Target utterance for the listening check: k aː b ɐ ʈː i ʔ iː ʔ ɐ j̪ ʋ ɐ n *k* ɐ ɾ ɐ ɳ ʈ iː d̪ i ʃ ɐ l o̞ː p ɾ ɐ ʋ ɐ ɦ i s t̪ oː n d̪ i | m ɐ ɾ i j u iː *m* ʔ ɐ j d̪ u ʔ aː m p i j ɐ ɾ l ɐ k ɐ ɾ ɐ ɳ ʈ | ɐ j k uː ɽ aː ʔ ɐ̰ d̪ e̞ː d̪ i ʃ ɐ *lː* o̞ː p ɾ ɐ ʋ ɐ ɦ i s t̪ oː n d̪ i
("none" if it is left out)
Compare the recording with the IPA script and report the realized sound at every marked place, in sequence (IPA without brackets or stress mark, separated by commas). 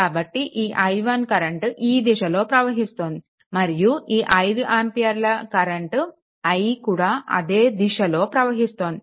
k, none, l